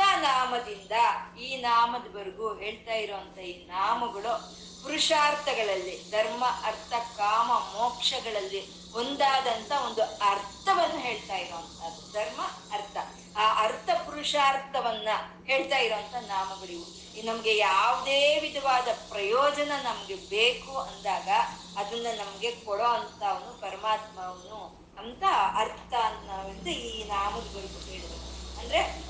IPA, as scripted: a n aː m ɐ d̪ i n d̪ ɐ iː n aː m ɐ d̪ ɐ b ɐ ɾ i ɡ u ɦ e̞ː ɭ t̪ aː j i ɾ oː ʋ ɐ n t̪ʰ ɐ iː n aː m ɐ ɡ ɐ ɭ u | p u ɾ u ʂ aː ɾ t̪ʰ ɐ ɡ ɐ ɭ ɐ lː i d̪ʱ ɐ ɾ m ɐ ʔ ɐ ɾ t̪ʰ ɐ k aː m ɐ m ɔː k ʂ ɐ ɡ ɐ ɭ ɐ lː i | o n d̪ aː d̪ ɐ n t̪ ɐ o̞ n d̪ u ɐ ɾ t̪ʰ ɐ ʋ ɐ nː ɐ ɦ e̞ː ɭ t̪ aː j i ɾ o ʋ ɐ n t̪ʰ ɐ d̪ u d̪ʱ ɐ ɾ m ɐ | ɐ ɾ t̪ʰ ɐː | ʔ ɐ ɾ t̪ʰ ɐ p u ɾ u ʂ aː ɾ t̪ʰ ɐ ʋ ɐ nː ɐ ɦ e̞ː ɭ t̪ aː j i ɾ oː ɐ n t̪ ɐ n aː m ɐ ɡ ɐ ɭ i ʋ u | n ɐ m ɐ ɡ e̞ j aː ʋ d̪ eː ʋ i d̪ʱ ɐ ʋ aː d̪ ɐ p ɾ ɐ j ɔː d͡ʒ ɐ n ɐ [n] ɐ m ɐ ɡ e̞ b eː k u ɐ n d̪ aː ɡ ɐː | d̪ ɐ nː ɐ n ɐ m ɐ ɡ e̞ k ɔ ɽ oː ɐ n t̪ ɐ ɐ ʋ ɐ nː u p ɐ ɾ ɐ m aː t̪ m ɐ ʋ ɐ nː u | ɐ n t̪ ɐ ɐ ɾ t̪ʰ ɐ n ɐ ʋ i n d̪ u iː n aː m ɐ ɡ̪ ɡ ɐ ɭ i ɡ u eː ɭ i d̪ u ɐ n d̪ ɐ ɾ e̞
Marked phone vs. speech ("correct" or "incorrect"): correct